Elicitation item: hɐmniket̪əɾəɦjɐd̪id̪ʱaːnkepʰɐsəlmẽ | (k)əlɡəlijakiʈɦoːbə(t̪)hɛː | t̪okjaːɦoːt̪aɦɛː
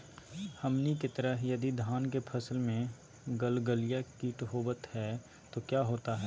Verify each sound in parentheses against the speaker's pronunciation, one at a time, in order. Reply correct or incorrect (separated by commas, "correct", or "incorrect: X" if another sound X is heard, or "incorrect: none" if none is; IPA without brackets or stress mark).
incorrect: ɡ, correct